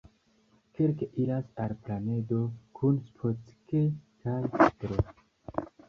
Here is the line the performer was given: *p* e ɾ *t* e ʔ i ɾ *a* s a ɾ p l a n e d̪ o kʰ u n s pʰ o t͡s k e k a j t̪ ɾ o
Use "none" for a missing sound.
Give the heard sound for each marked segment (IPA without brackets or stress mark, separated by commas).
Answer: k, k, a